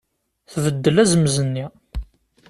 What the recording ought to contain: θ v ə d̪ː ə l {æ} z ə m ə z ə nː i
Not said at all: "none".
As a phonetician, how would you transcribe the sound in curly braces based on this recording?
æ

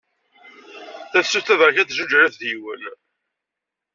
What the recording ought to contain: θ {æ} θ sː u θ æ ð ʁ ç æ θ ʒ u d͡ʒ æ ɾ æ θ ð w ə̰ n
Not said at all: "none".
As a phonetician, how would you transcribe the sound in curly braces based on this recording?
æ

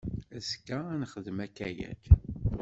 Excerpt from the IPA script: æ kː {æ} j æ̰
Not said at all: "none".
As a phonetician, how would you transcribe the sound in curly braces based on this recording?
æ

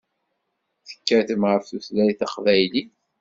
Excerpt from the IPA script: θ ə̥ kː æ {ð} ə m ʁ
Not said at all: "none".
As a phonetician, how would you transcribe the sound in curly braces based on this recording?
θ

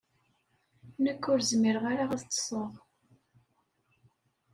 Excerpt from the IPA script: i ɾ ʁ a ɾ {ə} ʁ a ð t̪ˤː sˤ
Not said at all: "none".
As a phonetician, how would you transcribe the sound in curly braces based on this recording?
a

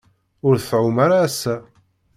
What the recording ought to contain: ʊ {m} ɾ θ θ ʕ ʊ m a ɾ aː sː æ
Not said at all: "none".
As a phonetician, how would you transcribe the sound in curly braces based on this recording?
none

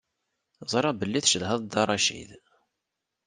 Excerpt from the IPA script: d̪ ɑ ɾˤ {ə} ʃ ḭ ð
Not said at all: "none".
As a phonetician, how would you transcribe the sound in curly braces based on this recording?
ɑ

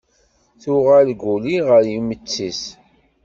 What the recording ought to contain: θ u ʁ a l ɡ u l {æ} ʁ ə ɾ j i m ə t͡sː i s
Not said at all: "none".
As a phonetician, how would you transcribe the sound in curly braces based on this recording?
i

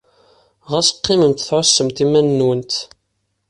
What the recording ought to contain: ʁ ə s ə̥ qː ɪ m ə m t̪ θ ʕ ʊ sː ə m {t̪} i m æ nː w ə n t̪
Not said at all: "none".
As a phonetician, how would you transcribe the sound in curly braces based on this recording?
t̪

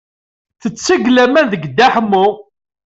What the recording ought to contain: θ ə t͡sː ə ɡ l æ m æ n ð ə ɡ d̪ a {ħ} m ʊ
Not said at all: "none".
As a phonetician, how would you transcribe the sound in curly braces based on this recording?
ħ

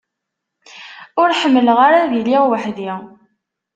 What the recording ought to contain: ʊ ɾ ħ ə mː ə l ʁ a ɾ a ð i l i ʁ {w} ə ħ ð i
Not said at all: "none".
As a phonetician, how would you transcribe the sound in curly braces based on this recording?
w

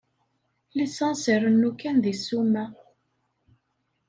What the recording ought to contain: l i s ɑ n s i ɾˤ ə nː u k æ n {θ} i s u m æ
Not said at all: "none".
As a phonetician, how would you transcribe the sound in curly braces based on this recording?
ð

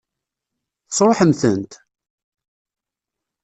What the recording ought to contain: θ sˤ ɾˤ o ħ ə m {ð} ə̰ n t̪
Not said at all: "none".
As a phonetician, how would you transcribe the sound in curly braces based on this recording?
θ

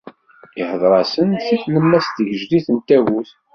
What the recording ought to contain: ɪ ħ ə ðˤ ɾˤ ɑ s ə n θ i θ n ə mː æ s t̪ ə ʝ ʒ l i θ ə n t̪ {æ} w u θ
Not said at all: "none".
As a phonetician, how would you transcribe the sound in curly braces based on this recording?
æ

